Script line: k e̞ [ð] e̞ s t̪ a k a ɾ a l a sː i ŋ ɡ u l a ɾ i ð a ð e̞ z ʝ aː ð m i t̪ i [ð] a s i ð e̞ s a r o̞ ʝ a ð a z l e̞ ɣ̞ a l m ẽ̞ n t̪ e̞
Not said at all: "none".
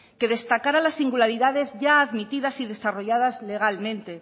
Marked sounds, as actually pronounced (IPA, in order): ð, ð

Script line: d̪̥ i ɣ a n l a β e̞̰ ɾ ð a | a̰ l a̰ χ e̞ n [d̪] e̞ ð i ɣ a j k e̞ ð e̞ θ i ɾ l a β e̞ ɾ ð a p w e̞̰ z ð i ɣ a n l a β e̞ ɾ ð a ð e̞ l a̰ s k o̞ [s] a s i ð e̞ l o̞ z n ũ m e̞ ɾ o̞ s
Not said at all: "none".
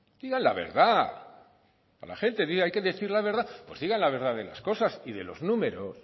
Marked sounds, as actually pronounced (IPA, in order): t̪, s

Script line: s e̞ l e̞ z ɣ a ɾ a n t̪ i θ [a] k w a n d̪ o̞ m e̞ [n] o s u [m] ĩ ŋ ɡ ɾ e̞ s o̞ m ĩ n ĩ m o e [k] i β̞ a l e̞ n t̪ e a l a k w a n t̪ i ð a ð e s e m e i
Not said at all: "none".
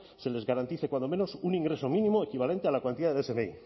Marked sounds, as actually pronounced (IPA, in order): e, n, n, k

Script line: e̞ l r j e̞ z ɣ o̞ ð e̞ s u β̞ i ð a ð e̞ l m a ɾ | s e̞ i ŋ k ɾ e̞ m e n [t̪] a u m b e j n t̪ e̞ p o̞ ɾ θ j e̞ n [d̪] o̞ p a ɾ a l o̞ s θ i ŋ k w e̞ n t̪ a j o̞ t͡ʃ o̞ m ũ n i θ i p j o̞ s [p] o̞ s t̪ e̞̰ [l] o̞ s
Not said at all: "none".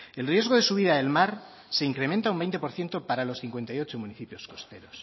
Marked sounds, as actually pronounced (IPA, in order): t̪, t̪, k, ɾ

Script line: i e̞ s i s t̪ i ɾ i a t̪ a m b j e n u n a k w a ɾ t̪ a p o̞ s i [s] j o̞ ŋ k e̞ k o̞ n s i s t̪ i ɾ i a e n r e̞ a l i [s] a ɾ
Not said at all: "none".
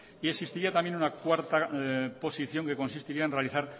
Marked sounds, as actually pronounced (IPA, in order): θ, θ

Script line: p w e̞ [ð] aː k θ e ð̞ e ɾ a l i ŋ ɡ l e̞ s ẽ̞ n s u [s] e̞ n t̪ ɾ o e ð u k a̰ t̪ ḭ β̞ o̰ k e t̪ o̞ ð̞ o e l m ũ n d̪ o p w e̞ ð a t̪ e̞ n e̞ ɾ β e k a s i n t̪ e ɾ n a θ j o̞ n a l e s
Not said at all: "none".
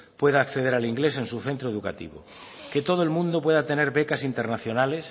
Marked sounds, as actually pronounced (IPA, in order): ð, θ

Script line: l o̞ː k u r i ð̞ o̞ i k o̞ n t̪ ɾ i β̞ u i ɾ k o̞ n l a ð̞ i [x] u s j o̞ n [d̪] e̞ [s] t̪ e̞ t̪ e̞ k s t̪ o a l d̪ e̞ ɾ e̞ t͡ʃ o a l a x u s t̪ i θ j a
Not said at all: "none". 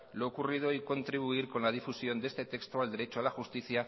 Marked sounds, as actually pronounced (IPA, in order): f, d̪, s

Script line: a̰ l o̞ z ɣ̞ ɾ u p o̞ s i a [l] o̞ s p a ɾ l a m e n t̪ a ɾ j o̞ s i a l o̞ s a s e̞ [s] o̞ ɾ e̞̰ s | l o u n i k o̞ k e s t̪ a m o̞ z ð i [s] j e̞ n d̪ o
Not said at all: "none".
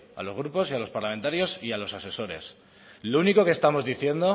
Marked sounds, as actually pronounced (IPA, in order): l, s, θ

